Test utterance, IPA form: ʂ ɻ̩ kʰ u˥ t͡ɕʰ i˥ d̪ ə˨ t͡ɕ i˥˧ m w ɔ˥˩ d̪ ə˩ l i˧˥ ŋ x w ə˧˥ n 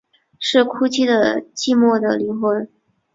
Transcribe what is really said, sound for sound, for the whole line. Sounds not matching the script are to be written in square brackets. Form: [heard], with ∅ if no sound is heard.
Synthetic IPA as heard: ʂ ɻ̩ kʰ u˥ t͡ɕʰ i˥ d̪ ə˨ t͡ɕ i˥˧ m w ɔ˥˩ d̪ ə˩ l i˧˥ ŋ x w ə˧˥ n